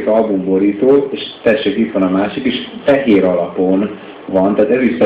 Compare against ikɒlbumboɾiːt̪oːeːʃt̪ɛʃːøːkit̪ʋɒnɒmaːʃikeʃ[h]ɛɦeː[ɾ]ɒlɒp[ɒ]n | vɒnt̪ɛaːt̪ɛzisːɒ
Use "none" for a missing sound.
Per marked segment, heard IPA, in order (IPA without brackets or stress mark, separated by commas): f, ɾ, o